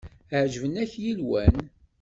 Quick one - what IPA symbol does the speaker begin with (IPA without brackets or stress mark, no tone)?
ʕ